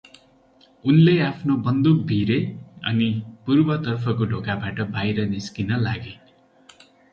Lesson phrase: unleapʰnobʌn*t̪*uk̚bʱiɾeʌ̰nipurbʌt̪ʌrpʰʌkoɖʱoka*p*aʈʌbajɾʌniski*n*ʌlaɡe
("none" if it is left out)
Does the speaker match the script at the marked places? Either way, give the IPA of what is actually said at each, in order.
d̪, b, n

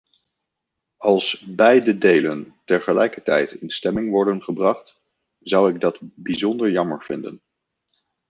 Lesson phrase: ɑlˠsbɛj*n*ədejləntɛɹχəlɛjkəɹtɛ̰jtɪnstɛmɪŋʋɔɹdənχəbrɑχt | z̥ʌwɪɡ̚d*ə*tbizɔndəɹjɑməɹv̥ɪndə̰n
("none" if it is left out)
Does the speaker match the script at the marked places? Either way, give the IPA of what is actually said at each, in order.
d, ɑ

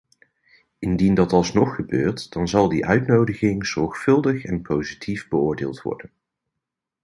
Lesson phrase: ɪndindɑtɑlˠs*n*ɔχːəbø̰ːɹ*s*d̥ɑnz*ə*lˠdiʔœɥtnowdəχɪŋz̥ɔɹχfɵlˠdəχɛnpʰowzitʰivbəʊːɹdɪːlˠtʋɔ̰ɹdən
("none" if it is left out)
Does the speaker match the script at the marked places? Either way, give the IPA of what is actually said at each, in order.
n, t, ɑ

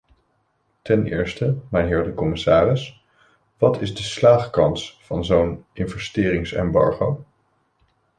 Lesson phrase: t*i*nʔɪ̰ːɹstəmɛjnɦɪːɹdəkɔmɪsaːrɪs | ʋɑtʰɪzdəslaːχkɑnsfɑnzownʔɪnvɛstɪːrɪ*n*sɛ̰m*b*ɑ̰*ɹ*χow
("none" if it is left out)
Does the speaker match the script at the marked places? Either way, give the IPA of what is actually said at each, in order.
ɛ, ŋ, b, ɹ

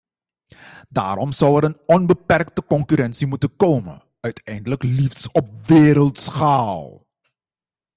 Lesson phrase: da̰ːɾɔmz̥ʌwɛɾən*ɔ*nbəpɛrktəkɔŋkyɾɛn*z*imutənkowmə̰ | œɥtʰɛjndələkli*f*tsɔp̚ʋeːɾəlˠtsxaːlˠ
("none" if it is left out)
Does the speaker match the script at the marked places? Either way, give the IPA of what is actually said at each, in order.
ɔ, s, f

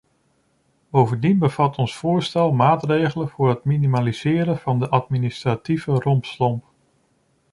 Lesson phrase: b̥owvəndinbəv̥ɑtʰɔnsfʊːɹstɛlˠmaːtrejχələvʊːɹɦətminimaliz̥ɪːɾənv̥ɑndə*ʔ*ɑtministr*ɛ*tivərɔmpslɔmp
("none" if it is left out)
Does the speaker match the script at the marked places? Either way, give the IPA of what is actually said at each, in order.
ʔ, a

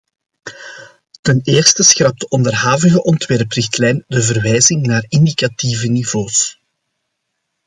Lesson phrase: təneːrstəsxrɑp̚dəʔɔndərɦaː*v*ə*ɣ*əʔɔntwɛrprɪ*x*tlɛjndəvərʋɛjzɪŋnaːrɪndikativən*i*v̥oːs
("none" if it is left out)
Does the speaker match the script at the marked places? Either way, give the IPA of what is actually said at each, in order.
v, ɣ, x, i

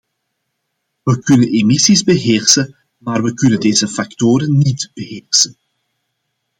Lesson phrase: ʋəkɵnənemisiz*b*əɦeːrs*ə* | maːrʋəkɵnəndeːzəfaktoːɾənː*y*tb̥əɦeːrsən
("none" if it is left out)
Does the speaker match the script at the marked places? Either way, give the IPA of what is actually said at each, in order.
b, ə, i

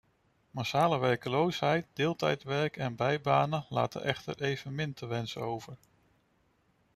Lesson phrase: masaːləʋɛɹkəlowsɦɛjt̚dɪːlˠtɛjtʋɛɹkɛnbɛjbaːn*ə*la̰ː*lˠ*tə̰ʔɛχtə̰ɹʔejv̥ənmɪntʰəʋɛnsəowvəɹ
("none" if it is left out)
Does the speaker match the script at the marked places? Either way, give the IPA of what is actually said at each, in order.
ə, none

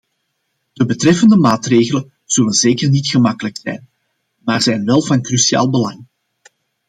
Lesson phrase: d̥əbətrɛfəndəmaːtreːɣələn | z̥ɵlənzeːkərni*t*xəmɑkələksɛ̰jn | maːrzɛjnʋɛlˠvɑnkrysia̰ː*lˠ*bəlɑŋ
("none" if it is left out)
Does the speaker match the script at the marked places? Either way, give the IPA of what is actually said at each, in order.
t, lˠ

